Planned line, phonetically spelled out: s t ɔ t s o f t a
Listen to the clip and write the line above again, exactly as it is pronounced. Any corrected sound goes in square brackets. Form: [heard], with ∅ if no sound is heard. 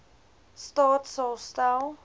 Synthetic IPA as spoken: s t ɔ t s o [s] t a